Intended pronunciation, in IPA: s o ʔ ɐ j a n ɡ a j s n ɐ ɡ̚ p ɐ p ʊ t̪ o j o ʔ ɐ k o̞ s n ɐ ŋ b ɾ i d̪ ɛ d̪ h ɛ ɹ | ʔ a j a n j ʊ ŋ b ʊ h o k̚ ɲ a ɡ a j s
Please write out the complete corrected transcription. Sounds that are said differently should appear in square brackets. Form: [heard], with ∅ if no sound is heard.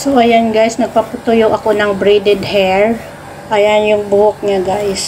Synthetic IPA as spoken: s o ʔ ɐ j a n ɡ a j s n ɐ ɡ̚ p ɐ p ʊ t̪ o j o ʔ ɐ k o̞ [∅] n ɐ ŋ b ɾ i d̪ ɛ d̪ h ɛ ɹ | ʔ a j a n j ʊ ŋ b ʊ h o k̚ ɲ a ɡ a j s